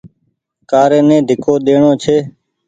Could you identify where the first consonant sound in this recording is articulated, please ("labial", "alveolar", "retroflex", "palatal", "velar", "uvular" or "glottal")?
velar